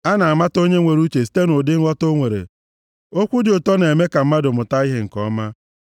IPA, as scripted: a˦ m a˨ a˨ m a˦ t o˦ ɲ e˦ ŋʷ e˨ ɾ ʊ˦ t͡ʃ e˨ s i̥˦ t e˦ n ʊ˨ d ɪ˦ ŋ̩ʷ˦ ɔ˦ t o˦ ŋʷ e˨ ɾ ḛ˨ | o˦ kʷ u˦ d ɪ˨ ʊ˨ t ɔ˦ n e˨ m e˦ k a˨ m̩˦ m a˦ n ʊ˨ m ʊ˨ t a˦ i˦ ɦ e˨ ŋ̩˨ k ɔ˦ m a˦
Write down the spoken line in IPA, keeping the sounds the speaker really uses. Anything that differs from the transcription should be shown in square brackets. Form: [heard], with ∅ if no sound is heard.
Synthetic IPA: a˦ [n] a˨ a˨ m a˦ t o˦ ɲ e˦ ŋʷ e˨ ɾ [u˦] t͡ʃ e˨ s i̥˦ t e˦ n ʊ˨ d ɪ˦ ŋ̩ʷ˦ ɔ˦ t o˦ ŋʷ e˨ ɾ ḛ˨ | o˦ kʷ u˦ d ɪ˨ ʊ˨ t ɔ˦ n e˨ m e˦ k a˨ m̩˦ m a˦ [d] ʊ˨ m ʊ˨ t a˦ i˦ ɦ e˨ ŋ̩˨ k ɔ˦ m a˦

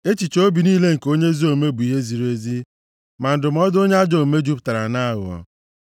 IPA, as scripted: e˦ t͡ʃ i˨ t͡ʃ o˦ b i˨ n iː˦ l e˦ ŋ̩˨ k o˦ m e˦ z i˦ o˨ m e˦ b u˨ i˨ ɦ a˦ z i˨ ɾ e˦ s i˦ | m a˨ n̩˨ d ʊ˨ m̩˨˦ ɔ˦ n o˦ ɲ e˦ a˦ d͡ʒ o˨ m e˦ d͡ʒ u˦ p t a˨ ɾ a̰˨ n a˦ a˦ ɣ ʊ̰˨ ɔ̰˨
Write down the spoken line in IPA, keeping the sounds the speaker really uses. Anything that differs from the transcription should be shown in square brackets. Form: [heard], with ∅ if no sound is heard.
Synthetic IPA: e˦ t͡ʃ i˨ t͡ʃ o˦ b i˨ n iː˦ l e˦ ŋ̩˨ k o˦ [ɲ] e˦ z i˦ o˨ m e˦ b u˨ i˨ ɦ [e˦] z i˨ ɾ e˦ [z] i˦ | m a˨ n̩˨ d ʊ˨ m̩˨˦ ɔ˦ [d] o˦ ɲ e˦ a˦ d͡ʒ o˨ m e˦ d͡ʒ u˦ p t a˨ ɾ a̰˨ n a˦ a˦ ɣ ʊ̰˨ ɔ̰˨

